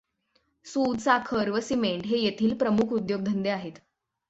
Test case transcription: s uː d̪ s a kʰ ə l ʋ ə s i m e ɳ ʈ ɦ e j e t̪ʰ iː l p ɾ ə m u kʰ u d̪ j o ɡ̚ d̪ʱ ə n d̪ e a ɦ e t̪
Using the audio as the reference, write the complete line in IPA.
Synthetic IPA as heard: s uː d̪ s a kʰ ə ɾ ʋ ə s i m e ɳ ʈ ɦ e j e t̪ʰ iː l p ɾ ə m u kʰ u d̪ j o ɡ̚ d̪ʱ ə n d̪ e a ɦ e t̪

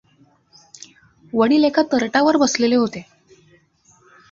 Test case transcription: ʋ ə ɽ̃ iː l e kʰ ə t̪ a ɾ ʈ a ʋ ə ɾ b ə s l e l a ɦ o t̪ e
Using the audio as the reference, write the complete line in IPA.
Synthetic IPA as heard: ʋ ə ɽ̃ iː l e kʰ a t̪ ə ɾ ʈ a ʋ ə ɾ b ə s l e l e ɦ o t̪ e

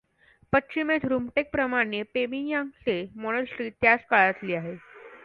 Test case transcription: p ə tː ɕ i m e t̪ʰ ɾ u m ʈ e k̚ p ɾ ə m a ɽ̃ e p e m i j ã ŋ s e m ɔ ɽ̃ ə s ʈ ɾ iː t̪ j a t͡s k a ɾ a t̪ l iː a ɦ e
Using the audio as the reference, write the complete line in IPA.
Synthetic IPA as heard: p ə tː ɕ i m e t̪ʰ ɾ u m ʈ e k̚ p ɾ ə m a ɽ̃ e p e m i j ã ŋ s e m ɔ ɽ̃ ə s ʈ ɾ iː t̪ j a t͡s k a ɭ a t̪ l iː a ɦ e

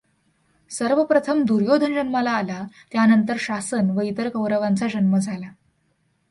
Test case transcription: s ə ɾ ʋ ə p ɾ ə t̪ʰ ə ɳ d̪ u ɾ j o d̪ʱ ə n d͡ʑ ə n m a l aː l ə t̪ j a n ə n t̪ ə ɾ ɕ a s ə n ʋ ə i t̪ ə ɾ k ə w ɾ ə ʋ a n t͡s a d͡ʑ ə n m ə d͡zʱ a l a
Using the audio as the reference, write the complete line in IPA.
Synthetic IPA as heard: s ə ɾ ʋ ə p ɾ ə t̪ʰ ə m d̪ u ɾ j o d̪ʱ ə n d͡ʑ ə n m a l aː l a t̪ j a n ə n t̪ ə ɾ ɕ a s ə n ʋ ə i t̪ ə ɾ k ə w ɾ ə ʋ a n t͡s a d͡ʑ ə n m ə d͡zʱ a l a

